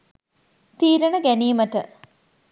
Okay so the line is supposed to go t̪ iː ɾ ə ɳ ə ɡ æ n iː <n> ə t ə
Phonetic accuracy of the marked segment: incorrect: m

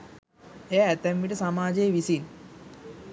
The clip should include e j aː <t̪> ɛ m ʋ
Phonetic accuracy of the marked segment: correct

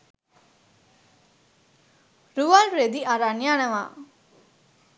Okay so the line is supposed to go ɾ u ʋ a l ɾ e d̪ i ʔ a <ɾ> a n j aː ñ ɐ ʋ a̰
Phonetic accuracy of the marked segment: correct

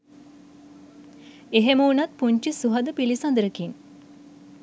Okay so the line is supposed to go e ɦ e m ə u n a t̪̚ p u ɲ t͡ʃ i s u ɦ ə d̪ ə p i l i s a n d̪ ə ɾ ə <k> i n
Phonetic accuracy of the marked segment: correct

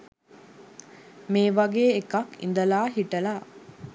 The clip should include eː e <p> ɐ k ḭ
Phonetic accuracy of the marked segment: incorrect: k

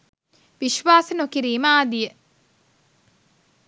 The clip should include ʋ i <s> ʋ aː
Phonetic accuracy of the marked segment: incorrect: ʃ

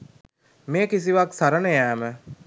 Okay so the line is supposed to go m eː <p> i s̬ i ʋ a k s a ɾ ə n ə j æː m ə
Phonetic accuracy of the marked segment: incorrect: k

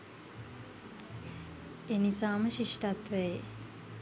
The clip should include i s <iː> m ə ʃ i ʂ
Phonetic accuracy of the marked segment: incorrect: aː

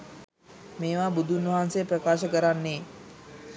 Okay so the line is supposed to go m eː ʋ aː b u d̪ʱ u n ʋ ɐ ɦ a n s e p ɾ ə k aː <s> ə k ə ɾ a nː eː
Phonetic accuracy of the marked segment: incorrect: ʃ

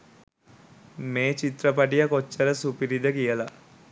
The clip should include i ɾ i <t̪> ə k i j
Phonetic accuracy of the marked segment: incorrect: d̪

